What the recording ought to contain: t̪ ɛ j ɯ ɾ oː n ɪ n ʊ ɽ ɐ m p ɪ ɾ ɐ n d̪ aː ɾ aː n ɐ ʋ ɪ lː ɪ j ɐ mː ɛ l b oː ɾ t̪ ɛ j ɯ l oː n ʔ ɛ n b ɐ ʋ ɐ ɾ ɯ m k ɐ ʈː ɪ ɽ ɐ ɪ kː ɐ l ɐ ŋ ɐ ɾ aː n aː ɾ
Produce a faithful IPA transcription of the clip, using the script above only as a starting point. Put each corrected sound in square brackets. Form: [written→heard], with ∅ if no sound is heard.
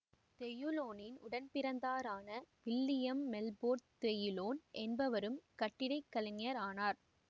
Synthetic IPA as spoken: t̪ ɛ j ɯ [ɾ→l] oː n ɪ n ʊ ɽ ɐ [m→n] p ɪ ɾ ɐ n d̪ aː ɾ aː n ɐ ʋ ɪ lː ɪ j ɐ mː ɛ l b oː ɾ t̪ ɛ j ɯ l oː n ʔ ɛ n b ɐ ʋ ɐ ɾ ɯ m k ɐ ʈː ɪ ɽ ɐ ɪ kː ɐ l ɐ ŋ ɐ ɾ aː n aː ɾ